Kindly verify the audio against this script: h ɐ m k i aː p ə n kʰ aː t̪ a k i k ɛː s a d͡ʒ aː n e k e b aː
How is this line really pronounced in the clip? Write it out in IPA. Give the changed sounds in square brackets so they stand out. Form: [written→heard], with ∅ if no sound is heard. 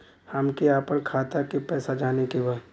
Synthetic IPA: h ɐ m k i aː p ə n kʰ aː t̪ a k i [k→p] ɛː s a d͡ʒ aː n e k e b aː